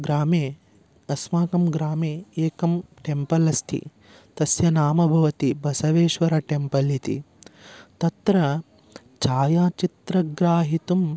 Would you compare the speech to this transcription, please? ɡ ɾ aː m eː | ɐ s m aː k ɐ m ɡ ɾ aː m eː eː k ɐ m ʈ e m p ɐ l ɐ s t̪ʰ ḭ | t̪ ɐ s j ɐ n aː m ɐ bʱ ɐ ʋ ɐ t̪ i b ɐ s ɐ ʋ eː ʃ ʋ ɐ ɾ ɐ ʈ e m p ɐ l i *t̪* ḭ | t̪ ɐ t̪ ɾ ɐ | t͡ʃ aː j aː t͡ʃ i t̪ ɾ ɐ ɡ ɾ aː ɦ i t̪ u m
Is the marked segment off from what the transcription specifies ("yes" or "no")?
no